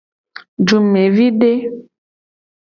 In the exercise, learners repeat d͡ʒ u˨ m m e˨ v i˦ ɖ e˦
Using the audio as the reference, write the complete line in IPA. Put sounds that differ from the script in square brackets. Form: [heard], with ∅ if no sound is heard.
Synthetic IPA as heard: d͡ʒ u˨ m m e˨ v i˦ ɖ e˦